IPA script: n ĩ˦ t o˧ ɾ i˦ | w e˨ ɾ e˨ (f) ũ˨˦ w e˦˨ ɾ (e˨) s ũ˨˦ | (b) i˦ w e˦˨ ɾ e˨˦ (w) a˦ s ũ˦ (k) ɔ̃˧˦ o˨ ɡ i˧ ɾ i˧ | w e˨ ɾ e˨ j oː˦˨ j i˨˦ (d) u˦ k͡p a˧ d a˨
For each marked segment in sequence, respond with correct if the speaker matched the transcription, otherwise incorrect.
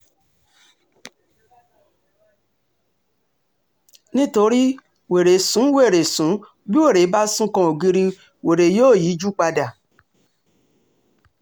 incorrect: s, correct, correct, incorrect: b, correct, incorrect: d͡ʒ

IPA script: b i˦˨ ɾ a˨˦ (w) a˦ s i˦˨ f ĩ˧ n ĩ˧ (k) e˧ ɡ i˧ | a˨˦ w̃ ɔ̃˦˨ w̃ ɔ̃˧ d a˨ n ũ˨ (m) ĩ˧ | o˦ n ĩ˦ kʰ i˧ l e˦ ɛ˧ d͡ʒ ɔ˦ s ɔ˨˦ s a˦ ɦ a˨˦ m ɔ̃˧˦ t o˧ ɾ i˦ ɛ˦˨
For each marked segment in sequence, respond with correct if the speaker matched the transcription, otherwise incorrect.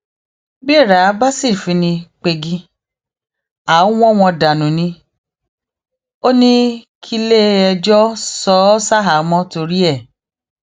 incorrect: b, incorrect: k͡p, incorrect: n

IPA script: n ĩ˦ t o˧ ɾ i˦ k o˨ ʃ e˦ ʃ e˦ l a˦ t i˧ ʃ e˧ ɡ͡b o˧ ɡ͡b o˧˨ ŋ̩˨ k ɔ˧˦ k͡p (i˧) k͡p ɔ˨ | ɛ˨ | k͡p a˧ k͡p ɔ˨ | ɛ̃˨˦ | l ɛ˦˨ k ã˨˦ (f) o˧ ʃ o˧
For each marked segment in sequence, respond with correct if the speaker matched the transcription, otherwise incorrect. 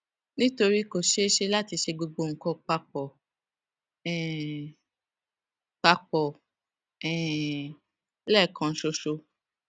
incorrect: a˧, incorrect: ʃ

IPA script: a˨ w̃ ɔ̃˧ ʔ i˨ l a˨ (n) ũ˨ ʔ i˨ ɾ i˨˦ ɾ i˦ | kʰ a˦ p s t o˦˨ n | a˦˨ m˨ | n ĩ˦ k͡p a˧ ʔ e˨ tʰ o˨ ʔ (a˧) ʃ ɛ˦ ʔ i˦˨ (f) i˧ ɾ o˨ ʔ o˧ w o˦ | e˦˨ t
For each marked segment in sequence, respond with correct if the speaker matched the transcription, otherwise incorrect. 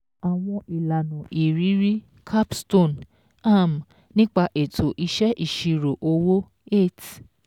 correct, incorrect: i˧, incorrect: ʃ

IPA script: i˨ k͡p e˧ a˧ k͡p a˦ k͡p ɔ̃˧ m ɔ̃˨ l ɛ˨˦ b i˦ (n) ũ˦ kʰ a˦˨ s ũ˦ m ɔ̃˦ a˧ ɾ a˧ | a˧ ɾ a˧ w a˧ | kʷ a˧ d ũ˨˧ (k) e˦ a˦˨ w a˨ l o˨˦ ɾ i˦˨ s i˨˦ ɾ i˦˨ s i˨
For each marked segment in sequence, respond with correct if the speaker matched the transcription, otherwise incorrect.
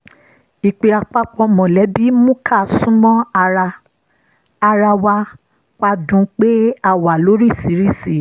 incorrect: m, incorrect: k͡p

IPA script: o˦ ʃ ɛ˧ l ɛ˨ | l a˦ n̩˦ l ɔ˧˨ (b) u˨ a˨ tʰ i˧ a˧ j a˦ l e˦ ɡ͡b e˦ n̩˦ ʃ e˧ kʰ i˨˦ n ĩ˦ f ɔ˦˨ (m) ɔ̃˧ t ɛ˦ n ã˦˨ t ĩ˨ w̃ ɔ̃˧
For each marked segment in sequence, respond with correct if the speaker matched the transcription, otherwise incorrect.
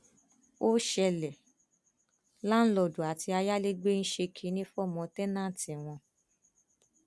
incorrect: d, correct

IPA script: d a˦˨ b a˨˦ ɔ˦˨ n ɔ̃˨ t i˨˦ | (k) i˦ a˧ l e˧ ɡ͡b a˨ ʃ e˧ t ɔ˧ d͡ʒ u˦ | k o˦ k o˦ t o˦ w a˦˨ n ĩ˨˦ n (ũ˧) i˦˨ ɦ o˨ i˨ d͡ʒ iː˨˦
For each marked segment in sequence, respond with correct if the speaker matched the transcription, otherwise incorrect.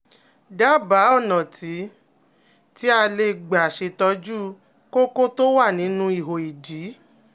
incorrect: t, correct

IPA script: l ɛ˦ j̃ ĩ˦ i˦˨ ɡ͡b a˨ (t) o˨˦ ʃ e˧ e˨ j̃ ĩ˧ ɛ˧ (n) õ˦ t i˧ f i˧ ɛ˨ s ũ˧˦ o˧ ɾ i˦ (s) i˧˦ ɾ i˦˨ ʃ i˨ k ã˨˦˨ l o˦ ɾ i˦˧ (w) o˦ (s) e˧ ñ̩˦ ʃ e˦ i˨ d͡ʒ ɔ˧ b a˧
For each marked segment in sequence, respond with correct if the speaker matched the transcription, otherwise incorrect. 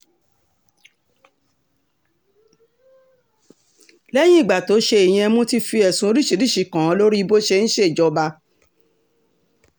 correct, incorrect: m, incorrect: ʃ, incorrect: b, incorrect: ʃ

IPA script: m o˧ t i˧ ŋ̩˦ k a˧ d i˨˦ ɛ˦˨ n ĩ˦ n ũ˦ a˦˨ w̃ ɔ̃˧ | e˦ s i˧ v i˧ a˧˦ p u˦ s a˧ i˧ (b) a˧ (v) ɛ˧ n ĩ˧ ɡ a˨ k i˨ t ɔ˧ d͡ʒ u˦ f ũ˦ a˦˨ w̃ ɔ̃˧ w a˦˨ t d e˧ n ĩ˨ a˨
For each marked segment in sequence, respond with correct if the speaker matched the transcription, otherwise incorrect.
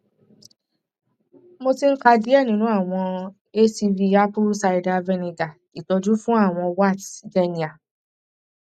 incorrect: d, correct

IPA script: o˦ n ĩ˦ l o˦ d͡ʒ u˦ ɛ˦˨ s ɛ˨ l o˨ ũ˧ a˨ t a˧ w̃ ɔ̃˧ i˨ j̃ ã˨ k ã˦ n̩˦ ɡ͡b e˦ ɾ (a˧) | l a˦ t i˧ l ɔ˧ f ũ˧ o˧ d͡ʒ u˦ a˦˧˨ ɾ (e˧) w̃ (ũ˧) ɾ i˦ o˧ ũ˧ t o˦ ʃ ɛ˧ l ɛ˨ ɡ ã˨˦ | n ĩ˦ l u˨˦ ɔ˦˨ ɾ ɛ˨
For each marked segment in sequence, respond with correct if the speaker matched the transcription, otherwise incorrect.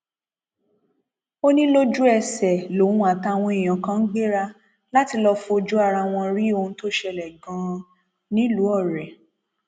correct, incorrect: a˧, incorrect: ɔ̃˧

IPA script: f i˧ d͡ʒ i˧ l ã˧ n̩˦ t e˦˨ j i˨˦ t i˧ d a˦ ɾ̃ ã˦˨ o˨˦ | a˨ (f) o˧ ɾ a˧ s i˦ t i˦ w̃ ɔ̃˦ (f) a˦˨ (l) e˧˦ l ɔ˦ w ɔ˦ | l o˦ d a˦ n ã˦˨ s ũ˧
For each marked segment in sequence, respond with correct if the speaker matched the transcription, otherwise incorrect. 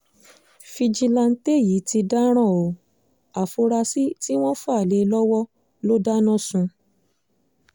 correct, correct, correct

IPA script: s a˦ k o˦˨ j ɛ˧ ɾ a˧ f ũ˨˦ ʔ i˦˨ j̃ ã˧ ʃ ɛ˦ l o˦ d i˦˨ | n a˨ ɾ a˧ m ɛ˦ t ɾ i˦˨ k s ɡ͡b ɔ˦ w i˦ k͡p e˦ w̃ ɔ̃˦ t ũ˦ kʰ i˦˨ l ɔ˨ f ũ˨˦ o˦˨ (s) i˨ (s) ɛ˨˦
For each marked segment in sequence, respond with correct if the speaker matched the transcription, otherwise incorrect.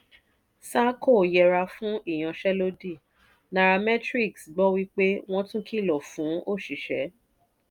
incorrect: ʃ, incorrect: ʃ

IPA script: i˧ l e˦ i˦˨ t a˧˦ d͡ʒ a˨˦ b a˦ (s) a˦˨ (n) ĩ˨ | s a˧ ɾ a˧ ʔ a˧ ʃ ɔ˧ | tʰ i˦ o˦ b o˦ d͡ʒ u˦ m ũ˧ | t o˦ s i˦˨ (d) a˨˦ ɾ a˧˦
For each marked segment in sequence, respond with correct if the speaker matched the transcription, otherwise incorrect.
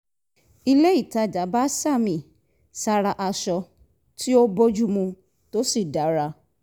correct, incorrect: m, correct

